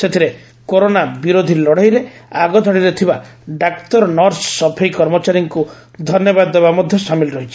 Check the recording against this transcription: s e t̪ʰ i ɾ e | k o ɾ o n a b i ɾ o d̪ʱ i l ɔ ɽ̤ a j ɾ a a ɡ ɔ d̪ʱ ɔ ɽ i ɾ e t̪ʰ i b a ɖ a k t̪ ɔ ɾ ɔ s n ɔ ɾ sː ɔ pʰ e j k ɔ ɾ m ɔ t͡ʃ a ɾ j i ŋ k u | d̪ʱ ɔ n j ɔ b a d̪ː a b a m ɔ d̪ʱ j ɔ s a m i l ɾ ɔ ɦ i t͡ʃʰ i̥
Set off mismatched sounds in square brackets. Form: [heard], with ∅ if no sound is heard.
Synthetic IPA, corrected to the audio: s e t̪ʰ i ɾ e | k o ɾ o n a b i ɾ o d̪ʱ i l ɔ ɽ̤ a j ɾ [e] a ɡ ɔ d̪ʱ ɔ ɽ i ɾ e t̪ʰ i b a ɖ a k t̪ ɔ ɾ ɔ [∅] n ɔ ɾ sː ɔ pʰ e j k ɔ ɾ m ɔ t͡ʃ a ɾ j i ŋ k u | d̪ʱ ɔ n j ɔ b a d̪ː [e] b a m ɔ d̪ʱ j ɔ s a m i l ɾ ɔ ɦ i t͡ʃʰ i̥